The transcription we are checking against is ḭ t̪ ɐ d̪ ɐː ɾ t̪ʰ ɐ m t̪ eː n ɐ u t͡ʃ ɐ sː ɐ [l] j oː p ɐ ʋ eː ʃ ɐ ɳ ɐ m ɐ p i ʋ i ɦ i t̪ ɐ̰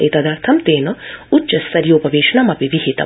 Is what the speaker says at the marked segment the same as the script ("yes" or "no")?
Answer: no